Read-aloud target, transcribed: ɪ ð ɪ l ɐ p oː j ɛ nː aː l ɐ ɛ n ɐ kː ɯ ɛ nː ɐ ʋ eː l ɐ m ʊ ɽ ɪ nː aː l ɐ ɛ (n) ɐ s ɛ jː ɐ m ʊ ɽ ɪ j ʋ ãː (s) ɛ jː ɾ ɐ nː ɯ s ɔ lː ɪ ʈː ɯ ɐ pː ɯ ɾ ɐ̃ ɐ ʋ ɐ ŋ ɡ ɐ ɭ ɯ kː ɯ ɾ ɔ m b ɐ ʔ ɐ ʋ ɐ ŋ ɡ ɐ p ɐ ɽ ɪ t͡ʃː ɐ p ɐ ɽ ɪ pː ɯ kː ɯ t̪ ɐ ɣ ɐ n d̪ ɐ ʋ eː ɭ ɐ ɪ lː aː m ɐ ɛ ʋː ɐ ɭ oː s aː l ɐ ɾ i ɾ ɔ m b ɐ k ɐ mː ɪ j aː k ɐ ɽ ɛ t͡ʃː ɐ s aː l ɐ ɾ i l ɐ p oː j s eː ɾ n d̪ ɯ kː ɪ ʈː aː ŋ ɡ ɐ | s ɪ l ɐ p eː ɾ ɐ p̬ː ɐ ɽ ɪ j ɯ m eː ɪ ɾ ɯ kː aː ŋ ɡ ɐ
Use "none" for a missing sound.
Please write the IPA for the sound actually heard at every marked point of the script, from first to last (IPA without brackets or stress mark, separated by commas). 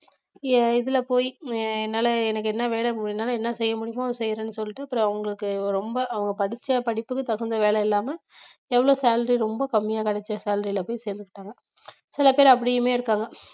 nː, s